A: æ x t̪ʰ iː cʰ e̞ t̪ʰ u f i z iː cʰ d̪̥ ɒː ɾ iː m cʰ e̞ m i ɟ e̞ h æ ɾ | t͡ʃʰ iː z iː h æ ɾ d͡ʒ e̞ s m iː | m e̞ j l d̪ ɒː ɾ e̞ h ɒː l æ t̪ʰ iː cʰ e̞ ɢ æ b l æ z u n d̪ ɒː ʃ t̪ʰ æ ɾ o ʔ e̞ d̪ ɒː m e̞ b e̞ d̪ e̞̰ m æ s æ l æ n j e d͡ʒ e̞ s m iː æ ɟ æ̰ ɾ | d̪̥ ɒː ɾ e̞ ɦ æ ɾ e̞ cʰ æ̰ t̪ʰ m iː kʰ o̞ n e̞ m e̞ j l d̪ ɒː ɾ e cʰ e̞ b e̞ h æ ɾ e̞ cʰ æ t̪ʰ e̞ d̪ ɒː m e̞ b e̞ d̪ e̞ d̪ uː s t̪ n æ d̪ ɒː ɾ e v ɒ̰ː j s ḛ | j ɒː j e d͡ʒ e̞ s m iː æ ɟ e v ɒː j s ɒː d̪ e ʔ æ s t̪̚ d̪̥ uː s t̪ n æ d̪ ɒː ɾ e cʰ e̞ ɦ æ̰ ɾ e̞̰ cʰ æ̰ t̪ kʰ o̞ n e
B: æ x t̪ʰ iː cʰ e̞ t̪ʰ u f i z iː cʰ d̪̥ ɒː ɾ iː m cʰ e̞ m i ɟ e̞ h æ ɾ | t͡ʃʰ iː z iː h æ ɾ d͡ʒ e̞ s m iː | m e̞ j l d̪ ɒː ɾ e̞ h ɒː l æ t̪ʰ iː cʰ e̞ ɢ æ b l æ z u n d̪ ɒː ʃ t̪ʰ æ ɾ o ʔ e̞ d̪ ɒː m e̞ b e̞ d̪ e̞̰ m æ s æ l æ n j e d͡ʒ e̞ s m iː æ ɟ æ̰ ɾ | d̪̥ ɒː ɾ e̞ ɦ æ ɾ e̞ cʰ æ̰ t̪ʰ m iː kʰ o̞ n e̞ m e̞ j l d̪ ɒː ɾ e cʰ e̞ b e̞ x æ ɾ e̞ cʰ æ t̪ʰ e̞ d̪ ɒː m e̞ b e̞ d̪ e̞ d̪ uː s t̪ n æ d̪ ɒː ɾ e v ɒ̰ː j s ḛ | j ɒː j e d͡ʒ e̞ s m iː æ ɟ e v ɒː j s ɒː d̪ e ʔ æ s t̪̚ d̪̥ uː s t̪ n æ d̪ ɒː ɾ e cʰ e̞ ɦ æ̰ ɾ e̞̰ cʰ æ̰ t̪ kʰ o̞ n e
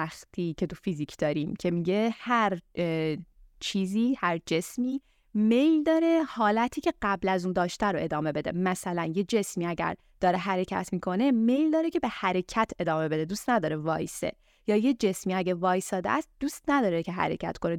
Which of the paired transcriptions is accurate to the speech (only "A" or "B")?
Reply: A